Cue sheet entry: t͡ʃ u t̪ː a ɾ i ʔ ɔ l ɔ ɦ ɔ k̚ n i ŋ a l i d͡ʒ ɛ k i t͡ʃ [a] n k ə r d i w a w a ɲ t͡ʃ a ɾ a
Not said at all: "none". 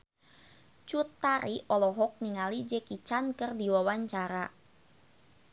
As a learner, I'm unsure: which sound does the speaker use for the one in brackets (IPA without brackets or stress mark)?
a